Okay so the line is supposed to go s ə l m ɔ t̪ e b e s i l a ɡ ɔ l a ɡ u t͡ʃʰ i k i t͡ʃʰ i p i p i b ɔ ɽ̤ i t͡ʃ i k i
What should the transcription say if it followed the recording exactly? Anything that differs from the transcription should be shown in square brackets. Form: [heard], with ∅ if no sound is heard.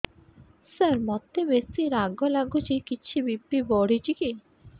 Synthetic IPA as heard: s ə [ɾ] m ɔ t̪ e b e s i [ɾ] a ɡ ɔ l a ɡ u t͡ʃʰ i k i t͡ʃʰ i [b] i p i b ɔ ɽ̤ i t͡ʃ i k i